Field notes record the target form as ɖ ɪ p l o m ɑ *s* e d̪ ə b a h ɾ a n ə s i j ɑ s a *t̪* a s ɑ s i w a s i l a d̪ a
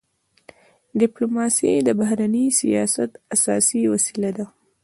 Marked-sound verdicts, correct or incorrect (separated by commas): correct, correct